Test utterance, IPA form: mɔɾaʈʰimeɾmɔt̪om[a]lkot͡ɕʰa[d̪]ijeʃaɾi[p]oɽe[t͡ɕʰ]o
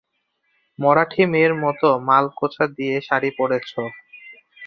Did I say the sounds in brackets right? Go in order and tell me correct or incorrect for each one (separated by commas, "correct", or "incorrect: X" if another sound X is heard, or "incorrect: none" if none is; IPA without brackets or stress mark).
correct, correct, correct, correct